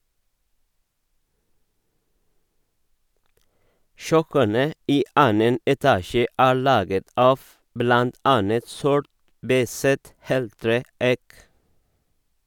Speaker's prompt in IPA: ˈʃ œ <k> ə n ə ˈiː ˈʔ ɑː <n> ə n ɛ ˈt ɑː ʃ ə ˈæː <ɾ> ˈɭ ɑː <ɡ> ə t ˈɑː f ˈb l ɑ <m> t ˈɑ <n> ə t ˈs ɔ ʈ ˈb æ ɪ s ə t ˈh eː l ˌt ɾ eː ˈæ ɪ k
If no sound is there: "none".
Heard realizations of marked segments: k, n, ɹ, ɡ, n, n

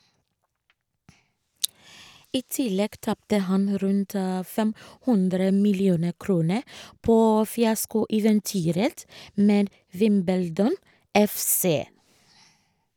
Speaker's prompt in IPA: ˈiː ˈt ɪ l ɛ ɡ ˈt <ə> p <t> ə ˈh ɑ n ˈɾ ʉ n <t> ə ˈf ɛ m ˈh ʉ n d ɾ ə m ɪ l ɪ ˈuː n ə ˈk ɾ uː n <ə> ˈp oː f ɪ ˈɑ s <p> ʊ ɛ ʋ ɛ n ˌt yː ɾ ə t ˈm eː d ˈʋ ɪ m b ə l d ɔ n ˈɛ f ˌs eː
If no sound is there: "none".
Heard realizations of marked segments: ɑ, t, t, ə, k

